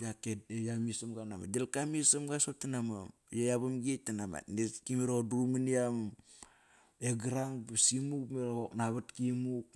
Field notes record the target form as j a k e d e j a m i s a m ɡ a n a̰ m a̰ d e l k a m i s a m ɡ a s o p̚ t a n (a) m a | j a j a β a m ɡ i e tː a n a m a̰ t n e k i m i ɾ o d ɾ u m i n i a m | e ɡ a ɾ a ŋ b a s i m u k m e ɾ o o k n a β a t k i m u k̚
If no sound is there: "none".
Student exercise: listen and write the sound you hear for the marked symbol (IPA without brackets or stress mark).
a